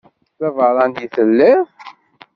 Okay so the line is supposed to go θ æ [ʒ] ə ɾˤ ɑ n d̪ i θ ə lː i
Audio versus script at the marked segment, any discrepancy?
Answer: yes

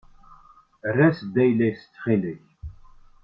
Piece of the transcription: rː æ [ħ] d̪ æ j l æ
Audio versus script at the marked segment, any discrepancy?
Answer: yes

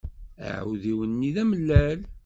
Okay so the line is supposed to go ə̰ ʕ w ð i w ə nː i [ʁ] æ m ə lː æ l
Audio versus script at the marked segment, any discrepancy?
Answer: yes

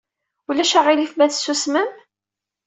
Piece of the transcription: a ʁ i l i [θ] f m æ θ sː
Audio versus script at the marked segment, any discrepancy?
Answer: yes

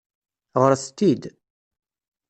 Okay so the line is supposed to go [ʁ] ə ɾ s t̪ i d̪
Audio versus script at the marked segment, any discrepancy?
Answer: no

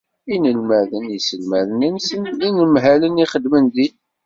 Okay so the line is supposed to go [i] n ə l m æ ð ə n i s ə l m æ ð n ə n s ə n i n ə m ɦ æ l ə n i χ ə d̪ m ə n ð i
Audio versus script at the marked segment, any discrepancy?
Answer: no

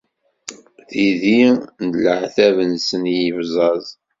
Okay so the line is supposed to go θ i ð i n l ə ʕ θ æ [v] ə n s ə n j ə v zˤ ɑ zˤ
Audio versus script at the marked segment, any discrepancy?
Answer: no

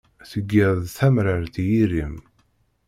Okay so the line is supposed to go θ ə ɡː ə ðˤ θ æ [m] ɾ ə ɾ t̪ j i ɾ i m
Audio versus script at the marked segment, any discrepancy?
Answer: no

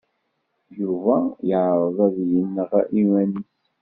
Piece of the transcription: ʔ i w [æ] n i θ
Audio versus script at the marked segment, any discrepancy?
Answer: no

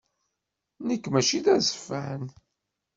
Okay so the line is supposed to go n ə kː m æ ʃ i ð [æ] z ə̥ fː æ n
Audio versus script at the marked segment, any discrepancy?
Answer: no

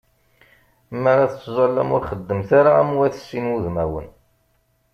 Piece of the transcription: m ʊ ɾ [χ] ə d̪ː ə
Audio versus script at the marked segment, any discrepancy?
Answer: no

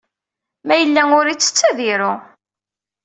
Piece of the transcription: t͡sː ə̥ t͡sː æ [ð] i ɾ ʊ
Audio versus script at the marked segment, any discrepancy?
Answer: no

